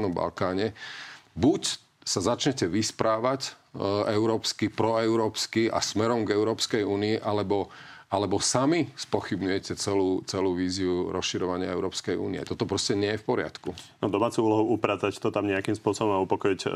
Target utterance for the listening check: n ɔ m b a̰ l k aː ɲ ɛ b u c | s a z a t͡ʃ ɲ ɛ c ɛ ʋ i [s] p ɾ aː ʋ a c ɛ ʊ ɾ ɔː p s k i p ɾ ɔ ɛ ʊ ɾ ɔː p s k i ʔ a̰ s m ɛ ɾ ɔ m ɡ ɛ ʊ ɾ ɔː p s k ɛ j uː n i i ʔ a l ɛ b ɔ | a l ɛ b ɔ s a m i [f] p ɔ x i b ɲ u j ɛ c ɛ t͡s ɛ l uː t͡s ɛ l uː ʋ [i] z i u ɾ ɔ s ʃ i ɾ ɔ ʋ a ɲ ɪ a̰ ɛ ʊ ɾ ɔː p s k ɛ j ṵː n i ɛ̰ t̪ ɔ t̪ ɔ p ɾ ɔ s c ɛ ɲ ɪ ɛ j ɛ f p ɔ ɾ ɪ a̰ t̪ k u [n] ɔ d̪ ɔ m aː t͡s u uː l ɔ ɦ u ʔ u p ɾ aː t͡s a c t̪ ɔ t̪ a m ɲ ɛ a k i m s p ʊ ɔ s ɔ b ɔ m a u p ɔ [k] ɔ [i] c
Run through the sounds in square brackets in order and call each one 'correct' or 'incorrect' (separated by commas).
correct, incorrect, incorrect, correct, correct, correct